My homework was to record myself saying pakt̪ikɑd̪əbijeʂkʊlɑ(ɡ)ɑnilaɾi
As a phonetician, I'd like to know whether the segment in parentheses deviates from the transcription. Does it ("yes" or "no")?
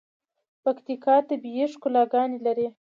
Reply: no